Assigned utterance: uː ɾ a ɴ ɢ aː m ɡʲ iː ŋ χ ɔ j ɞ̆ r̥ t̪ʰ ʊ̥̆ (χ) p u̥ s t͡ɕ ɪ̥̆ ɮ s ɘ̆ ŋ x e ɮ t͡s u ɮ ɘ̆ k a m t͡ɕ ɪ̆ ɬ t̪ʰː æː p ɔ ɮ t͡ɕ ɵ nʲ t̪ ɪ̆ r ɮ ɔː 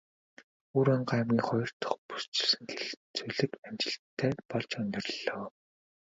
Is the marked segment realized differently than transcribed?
no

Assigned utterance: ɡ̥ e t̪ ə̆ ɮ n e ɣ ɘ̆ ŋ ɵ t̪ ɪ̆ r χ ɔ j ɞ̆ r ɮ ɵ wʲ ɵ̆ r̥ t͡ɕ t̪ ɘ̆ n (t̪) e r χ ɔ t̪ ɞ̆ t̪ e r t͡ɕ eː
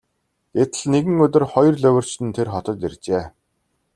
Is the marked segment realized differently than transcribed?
yes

